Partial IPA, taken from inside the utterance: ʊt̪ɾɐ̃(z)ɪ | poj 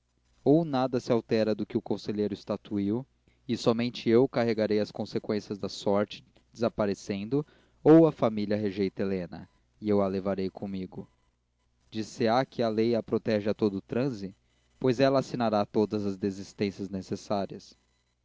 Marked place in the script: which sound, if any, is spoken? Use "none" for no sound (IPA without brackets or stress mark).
z